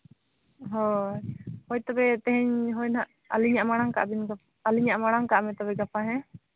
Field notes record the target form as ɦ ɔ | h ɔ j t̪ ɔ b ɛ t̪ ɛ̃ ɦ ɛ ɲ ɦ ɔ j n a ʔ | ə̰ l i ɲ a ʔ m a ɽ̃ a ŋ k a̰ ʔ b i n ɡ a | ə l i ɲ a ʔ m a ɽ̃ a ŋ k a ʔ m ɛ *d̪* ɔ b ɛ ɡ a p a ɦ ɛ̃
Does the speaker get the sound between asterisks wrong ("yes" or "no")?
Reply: yes